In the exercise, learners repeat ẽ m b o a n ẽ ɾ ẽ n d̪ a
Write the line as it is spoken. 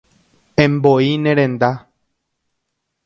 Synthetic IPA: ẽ m b o i n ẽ ɾ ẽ n d̪ a